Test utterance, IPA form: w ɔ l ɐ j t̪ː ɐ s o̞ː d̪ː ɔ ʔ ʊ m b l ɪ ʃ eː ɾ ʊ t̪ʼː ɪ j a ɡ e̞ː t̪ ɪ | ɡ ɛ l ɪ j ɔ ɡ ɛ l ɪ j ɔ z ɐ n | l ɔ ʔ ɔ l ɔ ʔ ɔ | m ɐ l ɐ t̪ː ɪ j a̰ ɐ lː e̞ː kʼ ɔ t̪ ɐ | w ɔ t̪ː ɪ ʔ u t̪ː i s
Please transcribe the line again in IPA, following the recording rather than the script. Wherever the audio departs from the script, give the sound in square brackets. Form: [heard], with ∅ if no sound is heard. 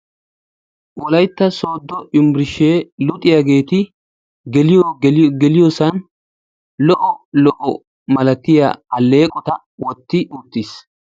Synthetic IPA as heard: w ɔ l ɐ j t̪ː ɐ s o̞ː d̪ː ɔ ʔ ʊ m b [ɾ] ɪ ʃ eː [l] ʊ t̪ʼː ɪ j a ɡ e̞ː t̪ ɪ | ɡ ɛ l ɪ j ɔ ɡ ɛ l ɪ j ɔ [s] ɐ n | l ɔ ʔ ɔ l ɔ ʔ ɔ | m ɐ l ɐ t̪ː ɪ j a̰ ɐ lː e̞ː kʼ ɔ t̪ ɐ | w ɔ t̪ː ɪ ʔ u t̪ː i s